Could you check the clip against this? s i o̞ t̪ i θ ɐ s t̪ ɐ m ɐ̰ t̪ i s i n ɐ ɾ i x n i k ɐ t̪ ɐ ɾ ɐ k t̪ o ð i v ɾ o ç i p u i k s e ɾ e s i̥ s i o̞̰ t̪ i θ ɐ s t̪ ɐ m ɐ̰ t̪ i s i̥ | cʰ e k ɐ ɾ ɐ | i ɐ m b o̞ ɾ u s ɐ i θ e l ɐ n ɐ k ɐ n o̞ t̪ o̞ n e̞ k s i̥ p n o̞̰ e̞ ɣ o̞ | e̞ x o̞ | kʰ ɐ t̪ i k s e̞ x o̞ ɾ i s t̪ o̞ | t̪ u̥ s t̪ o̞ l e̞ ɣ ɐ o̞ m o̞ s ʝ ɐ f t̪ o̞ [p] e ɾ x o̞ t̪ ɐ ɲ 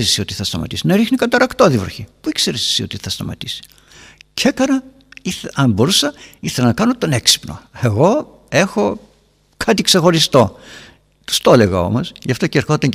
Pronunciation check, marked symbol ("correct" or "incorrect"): incorrect